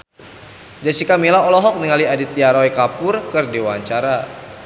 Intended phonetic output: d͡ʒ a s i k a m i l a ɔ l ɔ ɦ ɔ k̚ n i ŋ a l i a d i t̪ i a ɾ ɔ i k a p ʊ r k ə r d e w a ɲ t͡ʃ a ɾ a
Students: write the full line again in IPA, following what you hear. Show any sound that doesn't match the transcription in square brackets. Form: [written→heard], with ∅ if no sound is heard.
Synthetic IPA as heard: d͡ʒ a s i k a m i l a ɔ l ɔ ɦ ɔ k̚ n i ŋ a l i a d i t̪ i a ɾ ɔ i k a p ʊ r k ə r d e w a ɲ t͡ʃ a ɾ a

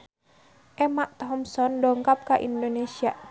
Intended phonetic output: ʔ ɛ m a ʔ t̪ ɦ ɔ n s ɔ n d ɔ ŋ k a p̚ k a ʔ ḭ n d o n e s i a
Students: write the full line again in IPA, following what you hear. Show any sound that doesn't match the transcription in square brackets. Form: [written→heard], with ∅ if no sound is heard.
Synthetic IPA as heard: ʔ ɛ m a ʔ t̪ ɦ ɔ [n→m] s ɔ n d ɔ ŋ k a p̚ k a ʔ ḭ n d o n e s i a

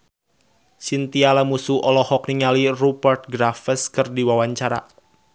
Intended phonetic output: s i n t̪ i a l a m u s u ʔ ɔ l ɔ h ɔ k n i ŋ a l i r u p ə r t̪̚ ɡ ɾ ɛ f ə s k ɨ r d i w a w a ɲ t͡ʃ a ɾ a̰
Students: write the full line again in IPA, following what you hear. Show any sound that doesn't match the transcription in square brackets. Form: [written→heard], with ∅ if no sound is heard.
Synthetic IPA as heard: s i n t̪ i a l a m u s u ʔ ɔ l ɔ h ɔ k n i ŋ a l i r u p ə r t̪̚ ɡ ɾ [ɛ→a] f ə s k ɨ r d i w a w a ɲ t͡ʃ a ɾ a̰

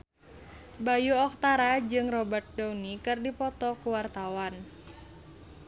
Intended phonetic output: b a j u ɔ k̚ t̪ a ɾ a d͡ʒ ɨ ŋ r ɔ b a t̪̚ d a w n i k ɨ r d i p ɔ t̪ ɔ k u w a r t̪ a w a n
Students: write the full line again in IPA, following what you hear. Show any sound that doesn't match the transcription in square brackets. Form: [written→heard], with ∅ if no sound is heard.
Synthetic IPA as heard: b a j u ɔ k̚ t̪ a ɾ a d͡ʒ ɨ ŋ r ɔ b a t̪̚ d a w n i k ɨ r d i p ɔ t̪ ɔ k u w a r t̪ a w a n

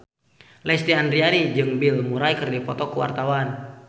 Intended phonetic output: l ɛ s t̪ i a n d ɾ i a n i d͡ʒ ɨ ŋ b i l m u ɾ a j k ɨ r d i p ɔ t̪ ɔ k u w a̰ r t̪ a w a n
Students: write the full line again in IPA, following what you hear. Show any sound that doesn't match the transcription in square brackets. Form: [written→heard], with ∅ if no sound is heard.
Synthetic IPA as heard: l ɛ s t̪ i a n d ɾ i a n i d͡ʒ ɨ ŋ b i l m u ɾ a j k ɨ r d i p ɔ t̪ ɔ k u w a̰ r t̪ a w a n

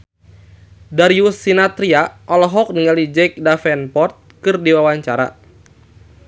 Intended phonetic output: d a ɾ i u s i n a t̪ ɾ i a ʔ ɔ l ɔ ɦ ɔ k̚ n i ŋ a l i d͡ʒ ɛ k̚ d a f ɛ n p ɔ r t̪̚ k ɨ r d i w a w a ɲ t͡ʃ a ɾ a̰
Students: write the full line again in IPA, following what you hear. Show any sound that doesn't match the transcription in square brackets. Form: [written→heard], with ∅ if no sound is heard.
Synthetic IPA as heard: d a ɾ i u s i n a t̪ ɾ i a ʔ ɔ l ɔ ɦ ɔ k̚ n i ŋ a l i d͡ʒ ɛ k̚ d a f ɛ n p ɔ r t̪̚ k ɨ r d i w a w a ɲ t͡ʃ a ɾ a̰

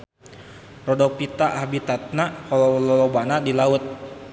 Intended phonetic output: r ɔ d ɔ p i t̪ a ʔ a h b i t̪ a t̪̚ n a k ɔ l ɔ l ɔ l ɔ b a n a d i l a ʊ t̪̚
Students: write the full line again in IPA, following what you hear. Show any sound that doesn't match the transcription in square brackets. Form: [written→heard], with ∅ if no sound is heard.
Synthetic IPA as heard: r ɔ d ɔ p i t̪ a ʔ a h b i t̪ a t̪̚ n a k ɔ l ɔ l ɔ l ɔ b a n a d i l a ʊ t̪̚

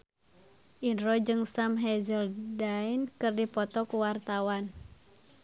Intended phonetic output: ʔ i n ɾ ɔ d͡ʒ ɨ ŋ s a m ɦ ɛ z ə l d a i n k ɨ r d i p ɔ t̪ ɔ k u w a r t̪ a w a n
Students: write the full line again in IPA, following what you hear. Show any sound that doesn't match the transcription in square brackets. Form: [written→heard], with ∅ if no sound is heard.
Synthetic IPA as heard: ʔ i n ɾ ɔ d͡ʒ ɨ ŋ s a m ɦ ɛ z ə l d a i n k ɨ r d i p ɔ t̪ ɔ k u w a r t̪ a w a n

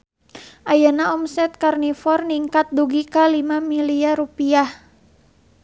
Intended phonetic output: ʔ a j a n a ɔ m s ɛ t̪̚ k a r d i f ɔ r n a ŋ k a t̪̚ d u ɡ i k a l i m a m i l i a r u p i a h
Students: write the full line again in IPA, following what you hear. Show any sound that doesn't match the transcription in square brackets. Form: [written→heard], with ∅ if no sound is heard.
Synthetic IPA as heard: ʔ a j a n a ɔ m s ɛ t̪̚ k a r [d→n] i f ɔ r n [a→i] ŋ k a t̪̚ d u ɡ i k a l i m a m i l i a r u p i a h

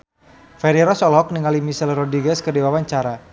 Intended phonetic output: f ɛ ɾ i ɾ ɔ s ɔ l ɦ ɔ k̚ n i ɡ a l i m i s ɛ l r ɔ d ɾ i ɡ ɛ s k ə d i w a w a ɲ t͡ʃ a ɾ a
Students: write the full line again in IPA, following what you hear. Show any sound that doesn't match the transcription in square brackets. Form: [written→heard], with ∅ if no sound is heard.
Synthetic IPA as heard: f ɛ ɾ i ɾ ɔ s ɔ l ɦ ɔ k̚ n i [ɡ→ŋ] a l i m i s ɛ l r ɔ d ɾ i ɡ ɛ s k ə d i w a w a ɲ t͡ʃ a ɾ a

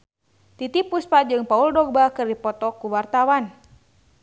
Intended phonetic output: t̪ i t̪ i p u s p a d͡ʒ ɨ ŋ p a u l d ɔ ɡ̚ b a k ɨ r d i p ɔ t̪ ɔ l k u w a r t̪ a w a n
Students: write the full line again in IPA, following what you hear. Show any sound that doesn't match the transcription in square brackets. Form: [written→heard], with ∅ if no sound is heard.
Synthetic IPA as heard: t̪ i t̪ i p u s p a d͡ʒ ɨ ŋ p a u l d ɔ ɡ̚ b a k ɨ r d i p ɔ t̪ ɔ [l→∅] k u w a r t̪ a w a n

